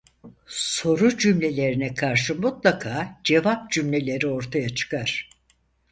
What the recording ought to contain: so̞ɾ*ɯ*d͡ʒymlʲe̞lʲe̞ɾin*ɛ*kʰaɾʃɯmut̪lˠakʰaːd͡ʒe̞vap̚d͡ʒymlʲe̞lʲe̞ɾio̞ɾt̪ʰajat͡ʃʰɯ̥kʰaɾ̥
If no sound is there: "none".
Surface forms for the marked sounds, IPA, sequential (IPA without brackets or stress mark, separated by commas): u, ɛ